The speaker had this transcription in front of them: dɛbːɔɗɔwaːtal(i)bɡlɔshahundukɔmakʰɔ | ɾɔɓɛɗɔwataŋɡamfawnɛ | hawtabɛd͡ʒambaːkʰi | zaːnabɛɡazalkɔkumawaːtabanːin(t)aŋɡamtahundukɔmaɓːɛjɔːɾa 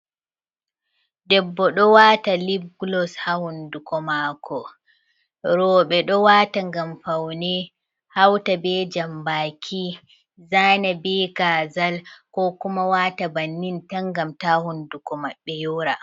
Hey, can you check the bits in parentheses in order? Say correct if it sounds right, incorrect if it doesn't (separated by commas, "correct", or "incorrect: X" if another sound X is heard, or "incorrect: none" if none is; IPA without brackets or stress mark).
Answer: correct, correct